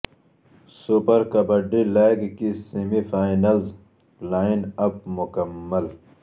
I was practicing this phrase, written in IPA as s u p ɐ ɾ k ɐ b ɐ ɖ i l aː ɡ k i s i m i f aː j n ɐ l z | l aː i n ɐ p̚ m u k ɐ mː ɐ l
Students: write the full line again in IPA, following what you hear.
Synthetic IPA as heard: s u p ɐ ɾ k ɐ b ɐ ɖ i l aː ɡ k i s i m i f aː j n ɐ l z | l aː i n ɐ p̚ m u k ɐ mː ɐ l